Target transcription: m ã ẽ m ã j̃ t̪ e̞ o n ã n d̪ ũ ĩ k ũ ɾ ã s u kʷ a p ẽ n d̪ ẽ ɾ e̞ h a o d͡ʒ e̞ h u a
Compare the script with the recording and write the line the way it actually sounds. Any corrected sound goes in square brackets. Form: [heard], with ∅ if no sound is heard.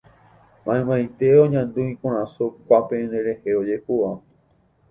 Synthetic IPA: m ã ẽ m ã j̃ t̪ e̞ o [ɲ] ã n d̪ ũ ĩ k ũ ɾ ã s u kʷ a p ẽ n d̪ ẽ ɾ e̞ h [e] o d͡ʒ e̞ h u a